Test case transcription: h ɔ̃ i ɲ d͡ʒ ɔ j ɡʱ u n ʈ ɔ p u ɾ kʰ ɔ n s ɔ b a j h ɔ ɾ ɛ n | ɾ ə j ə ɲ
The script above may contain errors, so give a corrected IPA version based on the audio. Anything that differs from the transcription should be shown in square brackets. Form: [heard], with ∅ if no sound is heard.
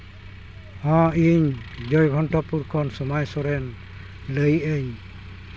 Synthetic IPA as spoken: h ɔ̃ i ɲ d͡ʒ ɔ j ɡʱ [ɔ] n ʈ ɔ p u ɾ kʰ ɔ n s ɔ [m] a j [s] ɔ ɾ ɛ n | [l] ə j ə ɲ

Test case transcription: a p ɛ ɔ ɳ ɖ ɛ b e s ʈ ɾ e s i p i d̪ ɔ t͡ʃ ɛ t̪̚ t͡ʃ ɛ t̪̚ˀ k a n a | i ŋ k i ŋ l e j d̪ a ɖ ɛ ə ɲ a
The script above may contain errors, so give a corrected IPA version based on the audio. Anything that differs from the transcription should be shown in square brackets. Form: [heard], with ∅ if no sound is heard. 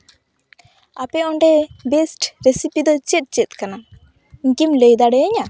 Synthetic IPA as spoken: a p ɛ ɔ ɳ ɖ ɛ b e s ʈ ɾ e s i p i d̪ ɔ t͡ʃ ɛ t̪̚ t͡ʃ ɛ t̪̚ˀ k a n a | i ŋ k i [m] l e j d̪ a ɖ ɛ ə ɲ a

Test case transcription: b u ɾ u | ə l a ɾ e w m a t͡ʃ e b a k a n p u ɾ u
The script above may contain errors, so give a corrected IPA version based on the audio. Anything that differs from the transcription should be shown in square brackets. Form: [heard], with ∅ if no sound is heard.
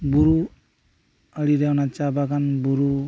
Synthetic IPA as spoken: b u ɾ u | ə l [i] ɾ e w [n] a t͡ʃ [a] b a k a n [b] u ɾ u

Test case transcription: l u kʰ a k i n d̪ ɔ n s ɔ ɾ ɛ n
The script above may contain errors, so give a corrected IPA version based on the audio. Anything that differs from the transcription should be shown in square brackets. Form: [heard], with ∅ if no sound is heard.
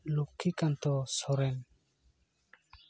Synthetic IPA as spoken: l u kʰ [i] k [a] n [t̪] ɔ [∅] s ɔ ɾ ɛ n

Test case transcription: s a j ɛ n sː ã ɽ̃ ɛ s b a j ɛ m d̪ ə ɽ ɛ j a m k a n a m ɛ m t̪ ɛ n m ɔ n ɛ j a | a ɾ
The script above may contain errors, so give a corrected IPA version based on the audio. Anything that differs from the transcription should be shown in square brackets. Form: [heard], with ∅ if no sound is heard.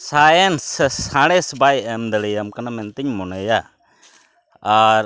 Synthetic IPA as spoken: s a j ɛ n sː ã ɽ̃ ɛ s b a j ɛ m d̪ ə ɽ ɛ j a m k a n a m ɛ [n] t̪ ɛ [ɲ] m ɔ n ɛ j a | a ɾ

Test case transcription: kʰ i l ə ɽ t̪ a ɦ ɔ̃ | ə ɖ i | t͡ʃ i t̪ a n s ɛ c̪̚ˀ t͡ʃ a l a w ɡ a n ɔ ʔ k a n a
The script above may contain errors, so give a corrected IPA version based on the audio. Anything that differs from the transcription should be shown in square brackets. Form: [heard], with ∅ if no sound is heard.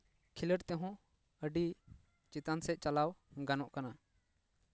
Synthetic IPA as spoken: kʰ i l ə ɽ t̪ [ɛ] ɦ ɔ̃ | ə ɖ i | t͡ʃ i t̪ a n s ɛ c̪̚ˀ t͡ʃ a l a w ɡ a n ɔ ʔ k a n a

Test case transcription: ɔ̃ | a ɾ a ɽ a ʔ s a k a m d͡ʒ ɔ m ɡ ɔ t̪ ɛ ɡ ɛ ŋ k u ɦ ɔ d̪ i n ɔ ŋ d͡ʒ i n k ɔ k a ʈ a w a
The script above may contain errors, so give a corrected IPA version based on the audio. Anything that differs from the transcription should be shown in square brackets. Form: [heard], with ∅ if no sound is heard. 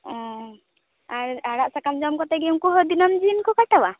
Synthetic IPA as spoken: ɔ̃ | a ɾ a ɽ a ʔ s a k a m d͡ʒ ɔ m [k] ɔ t̪ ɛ ɡ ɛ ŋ k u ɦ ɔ d̪ i n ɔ [m] d͡ʒ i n k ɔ k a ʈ a w a

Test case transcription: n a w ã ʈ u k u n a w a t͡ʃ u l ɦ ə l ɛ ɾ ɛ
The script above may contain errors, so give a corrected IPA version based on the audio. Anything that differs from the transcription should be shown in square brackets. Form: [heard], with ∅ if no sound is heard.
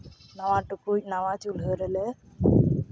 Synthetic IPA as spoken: n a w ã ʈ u k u n a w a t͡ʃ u l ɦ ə [ɾ] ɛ [l] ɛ

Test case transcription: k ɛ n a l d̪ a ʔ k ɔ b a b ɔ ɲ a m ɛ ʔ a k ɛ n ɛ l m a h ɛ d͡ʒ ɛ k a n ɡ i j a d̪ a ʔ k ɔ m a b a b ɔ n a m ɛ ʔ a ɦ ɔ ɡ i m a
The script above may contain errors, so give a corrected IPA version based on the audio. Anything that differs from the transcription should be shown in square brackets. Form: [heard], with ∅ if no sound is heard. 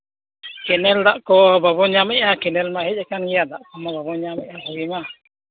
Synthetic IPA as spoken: k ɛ n [ɛ] l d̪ a ʔ k ɔ b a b ɔ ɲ a m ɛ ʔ a k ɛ n ɛ l m a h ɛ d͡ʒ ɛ k a n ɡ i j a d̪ a ʔ k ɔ m a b a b ɔ [ɲ] a m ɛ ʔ a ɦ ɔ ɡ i m a

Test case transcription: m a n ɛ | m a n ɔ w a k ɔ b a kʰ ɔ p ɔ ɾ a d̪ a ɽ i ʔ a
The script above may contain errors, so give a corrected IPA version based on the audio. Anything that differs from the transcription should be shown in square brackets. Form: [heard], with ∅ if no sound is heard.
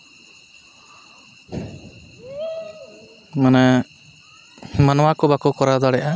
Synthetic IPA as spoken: m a n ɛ | m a n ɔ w a k ɔ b a [k] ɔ [k] ɔ ɾ a d̪ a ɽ [ɛ] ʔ a

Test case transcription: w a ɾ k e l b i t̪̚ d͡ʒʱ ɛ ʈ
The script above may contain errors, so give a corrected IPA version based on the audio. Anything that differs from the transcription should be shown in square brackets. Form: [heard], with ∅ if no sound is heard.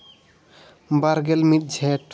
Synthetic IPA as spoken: [b] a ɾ [ɡ] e l [m] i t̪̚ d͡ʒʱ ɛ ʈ

